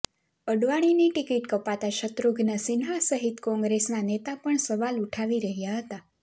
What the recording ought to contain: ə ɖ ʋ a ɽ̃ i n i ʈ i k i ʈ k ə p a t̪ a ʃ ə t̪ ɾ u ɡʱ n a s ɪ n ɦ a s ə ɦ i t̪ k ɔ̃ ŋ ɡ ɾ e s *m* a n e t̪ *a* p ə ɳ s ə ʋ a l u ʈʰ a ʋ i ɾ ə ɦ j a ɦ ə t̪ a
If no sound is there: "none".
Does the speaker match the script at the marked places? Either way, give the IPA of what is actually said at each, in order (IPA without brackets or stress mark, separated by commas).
n, a